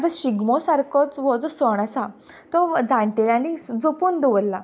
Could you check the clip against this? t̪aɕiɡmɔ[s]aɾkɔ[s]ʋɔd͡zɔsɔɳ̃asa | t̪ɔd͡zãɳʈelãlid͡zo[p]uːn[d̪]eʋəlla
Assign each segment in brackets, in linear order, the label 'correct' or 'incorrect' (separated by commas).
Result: correct, incorrect, correct, correct